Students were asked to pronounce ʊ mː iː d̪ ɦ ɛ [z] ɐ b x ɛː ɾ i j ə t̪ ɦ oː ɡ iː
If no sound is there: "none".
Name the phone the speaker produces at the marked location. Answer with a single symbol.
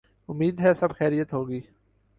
s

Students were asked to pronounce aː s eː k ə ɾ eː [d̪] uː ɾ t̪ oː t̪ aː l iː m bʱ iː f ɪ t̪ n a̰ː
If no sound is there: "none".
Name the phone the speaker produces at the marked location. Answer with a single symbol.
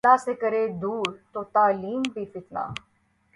d̪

